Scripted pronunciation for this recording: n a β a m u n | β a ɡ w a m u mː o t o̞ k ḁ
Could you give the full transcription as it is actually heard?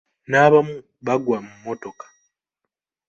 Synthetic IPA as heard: n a β a m u | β a ɡ w a m u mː o t o̞ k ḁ